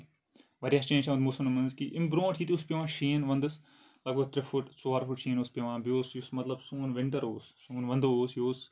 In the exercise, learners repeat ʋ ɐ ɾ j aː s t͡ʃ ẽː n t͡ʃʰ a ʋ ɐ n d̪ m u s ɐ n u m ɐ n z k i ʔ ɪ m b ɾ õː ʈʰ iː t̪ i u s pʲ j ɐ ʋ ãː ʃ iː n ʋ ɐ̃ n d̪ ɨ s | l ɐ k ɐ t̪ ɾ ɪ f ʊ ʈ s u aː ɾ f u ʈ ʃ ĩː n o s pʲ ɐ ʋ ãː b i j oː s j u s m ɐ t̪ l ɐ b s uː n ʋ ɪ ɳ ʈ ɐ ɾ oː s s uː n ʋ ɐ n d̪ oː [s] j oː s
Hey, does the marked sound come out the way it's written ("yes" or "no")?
yes